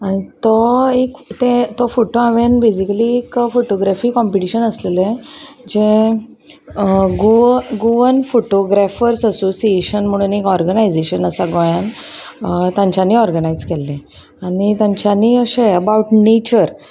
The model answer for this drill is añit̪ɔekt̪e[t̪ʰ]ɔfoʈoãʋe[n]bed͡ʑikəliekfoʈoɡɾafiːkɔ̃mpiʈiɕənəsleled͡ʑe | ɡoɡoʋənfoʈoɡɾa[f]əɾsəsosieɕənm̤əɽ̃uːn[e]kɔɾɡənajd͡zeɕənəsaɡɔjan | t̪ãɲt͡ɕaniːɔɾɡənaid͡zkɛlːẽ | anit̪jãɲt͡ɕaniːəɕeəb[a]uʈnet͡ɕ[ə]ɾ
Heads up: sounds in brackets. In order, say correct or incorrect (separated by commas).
incorrect, correct, correct, correct, correct, correct